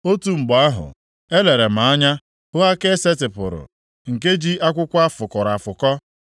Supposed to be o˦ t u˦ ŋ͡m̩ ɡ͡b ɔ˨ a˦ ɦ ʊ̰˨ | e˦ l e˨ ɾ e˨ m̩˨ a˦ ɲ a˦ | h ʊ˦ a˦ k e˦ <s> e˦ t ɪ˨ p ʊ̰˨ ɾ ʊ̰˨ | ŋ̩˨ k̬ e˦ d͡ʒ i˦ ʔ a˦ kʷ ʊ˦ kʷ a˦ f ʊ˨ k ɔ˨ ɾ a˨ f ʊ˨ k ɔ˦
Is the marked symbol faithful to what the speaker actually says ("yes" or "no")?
yes